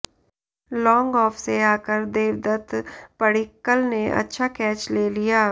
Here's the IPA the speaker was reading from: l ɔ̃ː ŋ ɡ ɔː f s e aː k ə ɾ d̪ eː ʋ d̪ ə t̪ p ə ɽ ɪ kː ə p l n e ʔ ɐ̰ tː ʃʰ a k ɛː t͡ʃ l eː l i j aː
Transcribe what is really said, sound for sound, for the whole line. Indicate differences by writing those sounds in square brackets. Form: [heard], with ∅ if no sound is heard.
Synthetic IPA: l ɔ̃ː ŋ ɡ ɔː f s e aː k ə ɾ d̪ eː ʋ d̪ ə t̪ p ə ɽ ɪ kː ə [∅] l n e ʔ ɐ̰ tː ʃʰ a k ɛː t͡ʃ l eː l i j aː